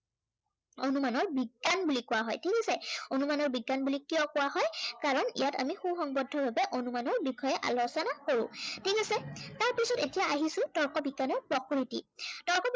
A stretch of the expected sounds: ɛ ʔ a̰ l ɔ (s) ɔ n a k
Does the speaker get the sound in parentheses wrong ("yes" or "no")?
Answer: no